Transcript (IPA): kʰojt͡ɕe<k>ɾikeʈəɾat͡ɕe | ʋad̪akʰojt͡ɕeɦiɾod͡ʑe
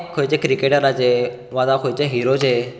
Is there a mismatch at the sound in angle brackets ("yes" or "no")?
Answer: no